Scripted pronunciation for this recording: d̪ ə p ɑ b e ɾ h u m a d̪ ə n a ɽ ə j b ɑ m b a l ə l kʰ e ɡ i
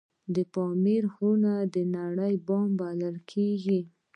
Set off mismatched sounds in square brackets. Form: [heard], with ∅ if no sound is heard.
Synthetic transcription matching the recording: d̪ ə p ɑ [m] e ɾ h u [n] a d̪ ə n a ɽ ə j b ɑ m b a l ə l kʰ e ɡ i